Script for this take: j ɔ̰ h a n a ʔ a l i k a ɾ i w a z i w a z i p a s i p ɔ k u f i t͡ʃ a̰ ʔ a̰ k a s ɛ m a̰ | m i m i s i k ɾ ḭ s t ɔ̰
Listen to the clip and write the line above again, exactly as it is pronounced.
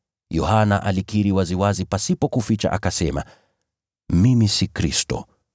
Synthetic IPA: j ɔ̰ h a n a ʔ a l i k i ɾ i w a z i w a z i p a s i p ɔ k u f i t͡ʃ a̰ ʔ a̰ k a s ɛ m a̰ | m i m i s i k ɾ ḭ s t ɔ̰